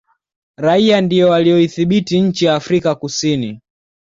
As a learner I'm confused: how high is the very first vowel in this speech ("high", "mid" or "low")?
low